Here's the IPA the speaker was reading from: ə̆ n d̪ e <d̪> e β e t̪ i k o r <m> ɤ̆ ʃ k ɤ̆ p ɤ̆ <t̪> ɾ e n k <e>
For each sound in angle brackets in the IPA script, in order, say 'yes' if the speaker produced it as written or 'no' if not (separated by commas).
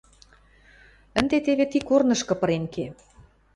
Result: no, no, no, yes